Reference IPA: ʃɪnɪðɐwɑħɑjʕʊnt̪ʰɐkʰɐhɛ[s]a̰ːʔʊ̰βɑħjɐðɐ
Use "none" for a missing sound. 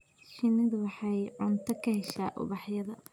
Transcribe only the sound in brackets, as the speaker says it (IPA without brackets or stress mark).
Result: ʃ